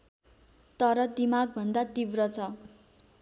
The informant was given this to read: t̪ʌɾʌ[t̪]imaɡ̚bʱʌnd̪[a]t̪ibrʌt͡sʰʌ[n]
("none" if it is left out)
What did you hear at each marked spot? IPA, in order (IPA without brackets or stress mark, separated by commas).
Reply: d̪, a, none